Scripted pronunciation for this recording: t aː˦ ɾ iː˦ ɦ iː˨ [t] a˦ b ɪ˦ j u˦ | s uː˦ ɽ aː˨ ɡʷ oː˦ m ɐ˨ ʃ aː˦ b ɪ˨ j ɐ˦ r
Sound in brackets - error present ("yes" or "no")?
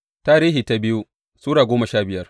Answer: no